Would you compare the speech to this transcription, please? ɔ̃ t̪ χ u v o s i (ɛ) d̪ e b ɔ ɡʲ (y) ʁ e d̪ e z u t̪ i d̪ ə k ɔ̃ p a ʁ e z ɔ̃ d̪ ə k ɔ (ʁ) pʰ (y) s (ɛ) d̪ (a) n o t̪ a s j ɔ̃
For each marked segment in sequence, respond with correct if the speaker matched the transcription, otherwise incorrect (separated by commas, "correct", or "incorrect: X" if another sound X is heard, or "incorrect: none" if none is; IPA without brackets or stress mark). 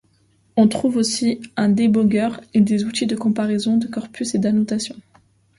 incorrect: ɛ̃, incorrect: œ, correct, correct, incorrect: e, correct